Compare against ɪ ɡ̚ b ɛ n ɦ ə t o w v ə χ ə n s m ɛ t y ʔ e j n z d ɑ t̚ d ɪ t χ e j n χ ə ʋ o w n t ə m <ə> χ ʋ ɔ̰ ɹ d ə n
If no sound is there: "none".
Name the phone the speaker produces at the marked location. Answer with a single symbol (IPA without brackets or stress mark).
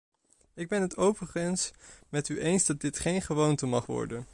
ɑ